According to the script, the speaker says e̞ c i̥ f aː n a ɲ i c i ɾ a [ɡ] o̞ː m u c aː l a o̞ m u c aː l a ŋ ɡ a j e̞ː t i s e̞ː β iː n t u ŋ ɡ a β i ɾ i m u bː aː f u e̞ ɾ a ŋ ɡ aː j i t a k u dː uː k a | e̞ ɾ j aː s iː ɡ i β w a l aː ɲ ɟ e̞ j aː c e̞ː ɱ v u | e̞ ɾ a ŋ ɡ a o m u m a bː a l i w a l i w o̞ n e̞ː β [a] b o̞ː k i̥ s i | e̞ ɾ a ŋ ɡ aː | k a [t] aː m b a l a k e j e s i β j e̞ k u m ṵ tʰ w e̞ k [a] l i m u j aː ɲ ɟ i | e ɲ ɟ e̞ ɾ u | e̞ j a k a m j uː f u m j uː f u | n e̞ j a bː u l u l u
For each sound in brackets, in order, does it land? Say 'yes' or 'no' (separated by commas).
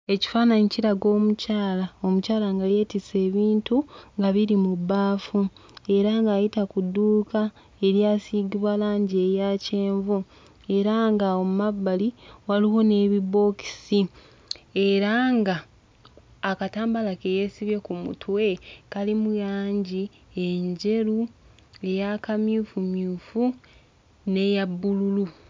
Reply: yes, no, yes, yes